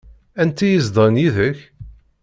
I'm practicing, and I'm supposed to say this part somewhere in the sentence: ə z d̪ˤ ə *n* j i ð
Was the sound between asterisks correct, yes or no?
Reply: yes